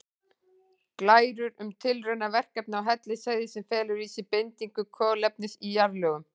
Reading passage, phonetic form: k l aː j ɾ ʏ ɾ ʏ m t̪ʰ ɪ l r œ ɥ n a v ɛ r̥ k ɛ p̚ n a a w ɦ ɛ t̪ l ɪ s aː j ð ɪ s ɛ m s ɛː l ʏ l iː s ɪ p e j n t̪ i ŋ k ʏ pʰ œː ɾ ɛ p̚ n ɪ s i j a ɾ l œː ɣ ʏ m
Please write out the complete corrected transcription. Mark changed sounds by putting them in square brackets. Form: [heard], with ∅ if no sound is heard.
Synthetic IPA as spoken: k l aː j ɾ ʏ ɾ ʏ m t̪ʰ ɪ l r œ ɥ n a v ɛ r̥ k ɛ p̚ n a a w ɦ ɛ t̪ l ɪ s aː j ð ɪ s ɛ m [f] ɛː l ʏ [ɾ] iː s ɪ p e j n t̪ i ŋ k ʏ [kʰ] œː [l] ɛ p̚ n ɪ s i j a ɾ l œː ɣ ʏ m